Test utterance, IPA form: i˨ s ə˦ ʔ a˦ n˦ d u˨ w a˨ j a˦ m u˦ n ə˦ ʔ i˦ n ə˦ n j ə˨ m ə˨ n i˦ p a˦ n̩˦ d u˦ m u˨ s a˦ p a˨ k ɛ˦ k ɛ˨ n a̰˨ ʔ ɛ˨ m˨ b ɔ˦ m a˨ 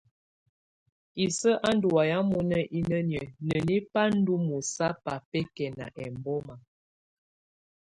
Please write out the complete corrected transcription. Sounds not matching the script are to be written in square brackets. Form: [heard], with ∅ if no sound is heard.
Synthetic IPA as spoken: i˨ s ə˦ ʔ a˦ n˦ d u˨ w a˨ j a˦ m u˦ n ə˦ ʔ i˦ n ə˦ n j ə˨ [n] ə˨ n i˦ p a˦ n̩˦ d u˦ m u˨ s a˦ p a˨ [p] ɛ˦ k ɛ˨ n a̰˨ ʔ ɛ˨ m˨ b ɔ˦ m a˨